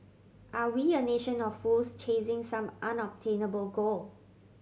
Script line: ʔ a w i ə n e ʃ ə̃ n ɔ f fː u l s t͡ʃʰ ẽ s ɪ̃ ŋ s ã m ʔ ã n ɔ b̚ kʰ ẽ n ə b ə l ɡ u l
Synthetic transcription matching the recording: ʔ a w i ə n e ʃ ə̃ n ɔ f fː u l s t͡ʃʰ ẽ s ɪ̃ ŋ s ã m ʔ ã n ɔ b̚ tʰ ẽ n ə b ə l ɡ o l